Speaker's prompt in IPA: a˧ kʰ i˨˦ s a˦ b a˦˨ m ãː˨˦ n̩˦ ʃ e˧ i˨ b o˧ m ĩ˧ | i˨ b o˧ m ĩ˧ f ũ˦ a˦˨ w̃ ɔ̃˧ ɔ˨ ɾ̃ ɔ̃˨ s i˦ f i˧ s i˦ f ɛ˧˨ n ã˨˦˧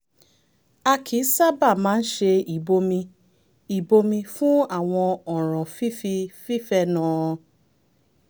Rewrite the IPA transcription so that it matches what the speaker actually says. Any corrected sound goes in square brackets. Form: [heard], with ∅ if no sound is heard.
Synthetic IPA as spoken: a˧ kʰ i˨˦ s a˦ b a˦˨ m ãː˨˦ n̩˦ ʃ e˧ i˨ b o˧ m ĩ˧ | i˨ b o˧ m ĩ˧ f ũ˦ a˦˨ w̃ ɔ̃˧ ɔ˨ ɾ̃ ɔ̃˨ [f] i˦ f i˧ [f] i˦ f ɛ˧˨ n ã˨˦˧